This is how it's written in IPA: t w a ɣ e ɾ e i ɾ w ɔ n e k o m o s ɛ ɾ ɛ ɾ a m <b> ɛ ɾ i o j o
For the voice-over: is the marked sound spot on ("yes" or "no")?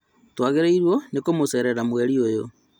no